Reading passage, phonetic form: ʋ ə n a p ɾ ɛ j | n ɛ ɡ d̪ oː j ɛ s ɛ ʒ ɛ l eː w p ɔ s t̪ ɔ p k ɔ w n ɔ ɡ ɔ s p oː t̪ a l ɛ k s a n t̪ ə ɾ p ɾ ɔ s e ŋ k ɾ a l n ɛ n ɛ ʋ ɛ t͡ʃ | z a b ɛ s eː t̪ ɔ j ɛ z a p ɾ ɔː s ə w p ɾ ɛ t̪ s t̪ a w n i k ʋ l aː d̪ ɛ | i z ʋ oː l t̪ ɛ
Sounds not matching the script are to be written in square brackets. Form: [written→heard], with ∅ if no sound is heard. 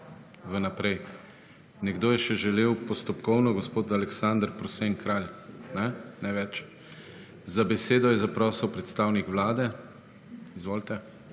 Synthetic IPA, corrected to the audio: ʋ ə n a p ɾ ɛ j | n ɛ ɡ d̪ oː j ɛ [s→ʃ] ɛ ʒ ɛ l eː w p ɔ s t̪ ɔ p k ɔ w n ɔ ɡ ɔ s p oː t̪ a l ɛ k s a n [t̪→d̪] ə ɾ p ɾ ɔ s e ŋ k ɾ a l n ɛ n ɛ ʋ ɛ t͡ʃ | z a b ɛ s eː [t̪→d̪] ɔ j ɛ z a p ɾ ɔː s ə w p ɾ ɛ t̪ s t̪ a w n i k ʋ l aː d̪ ɛ | i z ʋ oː l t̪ ɛ